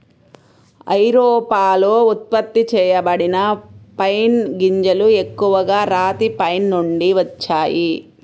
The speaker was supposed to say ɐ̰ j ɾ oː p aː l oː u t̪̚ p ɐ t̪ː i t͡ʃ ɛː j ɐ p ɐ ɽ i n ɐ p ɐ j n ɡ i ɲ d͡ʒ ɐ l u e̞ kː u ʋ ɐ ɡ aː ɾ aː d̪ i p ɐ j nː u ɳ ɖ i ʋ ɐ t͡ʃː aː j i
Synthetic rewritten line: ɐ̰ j ɾ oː p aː l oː u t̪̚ p ɐ t̪ː i t͡ʃ ɛː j ɐ b ɐ ɽ i n ɐ p ɐ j n ɡ i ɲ d͡ʒ ɐ l u e̞ kː u ʋ ɐ ɡ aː ɾ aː t̪ i p ɐ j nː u ɳ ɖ i ʋ ɐ t͡ʃː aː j i